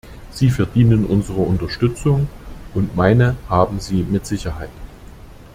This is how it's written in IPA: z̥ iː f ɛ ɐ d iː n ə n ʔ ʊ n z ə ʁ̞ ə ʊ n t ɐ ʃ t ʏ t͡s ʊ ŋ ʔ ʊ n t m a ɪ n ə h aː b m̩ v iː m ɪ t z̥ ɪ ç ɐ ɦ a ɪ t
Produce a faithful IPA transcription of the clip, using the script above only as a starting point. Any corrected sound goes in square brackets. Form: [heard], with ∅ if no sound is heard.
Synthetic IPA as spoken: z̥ iː f ɛ ɐ d iː n ə n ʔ ʊ n z ə ʁ̞ ə ʊ n t ɐ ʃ t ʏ t͡s ʊ ŋ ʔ ʊ n t m a ɪ n ə h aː b m̩ [z] iː m ɪ t z̥ ɪ ç ɐ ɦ a ɪ t